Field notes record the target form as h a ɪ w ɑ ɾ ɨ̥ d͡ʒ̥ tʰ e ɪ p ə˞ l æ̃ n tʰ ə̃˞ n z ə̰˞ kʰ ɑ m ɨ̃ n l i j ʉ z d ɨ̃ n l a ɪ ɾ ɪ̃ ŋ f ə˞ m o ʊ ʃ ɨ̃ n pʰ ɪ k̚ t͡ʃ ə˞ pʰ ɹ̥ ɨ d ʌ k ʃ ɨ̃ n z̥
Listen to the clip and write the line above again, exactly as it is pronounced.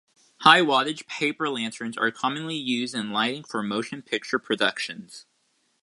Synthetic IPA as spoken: h a ɪ w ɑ ɾ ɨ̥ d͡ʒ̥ pʰ e ɪ p ə˞ l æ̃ n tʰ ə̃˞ n z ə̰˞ kʰ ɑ m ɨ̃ n l i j ʉ z d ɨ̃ n l a ɪ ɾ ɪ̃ ŋ f ə˞ m o ʊ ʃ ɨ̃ n pʰ ɪ k̚ t͡ʃ ə˞ pʰ ɹ̥ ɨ d ʌ k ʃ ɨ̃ n z̥